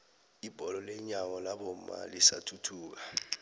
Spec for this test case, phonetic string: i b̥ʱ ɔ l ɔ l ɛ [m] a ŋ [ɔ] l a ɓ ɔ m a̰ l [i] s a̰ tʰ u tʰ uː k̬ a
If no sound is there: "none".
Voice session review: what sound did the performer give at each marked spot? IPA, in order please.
ɲ, ɔ, i

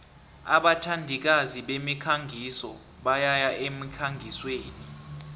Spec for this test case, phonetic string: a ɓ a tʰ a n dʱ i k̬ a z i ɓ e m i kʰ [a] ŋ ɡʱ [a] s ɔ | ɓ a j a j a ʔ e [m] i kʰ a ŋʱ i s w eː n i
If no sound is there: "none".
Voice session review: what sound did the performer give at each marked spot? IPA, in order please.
a, i, m

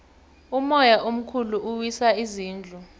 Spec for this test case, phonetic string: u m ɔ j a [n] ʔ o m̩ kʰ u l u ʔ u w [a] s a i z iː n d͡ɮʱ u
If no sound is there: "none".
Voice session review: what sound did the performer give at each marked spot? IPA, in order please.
none, i

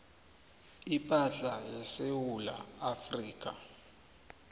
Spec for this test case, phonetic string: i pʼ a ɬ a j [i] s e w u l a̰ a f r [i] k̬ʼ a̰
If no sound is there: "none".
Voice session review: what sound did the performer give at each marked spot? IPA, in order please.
ɛ, iː

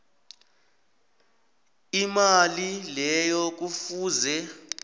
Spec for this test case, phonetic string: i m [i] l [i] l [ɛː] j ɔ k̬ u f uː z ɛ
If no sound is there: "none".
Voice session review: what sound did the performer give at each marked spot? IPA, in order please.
a, i, ɛ

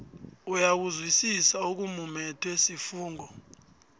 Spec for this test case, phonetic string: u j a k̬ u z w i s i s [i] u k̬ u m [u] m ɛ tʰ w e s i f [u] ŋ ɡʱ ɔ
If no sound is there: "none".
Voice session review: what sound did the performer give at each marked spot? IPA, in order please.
a, u, uː

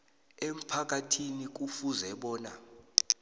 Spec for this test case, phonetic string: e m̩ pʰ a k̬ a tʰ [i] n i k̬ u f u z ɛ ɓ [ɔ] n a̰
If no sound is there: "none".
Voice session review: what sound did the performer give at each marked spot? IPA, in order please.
i, ɔː

